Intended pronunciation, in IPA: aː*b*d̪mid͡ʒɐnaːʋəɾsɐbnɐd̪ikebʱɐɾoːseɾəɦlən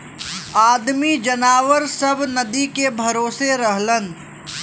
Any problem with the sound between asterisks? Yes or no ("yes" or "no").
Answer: yes